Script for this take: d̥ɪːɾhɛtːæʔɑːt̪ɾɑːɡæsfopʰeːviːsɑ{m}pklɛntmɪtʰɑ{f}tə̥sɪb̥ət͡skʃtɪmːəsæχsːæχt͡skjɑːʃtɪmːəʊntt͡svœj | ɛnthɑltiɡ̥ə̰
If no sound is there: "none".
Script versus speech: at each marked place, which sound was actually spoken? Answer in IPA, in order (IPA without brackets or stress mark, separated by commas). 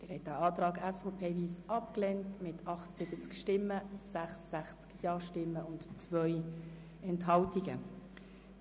none, χ